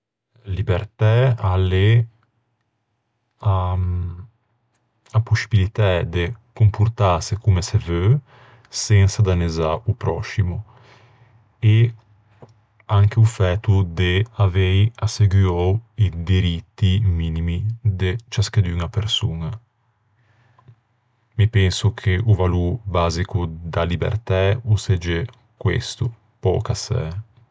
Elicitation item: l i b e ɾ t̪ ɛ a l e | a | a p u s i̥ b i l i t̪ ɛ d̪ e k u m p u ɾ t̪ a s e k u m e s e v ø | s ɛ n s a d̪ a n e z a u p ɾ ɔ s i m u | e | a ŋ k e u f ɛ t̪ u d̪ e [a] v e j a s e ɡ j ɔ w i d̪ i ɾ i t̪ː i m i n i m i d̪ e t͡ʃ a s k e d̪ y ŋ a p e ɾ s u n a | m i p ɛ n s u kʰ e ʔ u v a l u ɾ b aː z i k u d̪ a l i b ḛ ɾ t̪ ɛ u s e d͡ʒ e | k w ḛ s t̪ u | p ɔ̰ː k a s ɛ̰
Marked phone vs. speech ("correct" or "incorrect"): correct